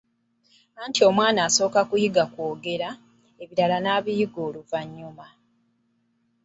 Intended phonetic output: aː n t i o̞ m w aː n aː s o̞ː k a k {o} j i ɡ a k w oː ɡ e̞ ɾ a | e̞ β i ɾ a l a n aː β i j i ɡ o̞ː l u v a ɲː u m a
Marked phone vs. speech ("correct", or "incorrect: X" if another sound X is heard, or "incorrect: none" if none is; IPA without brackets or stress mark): incorrect: u